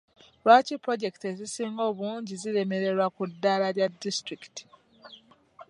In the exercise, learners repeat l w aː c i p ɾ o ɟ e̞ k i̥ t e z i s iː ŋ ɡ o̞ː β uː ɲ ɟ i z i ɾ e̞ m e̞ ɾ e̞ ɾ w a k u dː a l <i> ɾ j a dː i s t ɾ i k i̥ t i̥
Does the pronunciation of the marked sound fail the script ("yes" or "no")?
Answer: yes